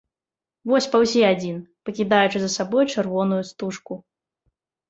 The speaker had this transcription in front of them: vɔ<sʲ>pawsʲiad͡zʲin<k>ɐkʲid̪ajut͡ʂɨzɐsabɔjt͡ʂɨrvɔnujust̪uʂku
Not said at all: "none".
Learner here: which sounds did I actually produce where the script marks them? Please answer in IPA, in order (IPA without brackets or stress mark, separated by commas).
sʲ, p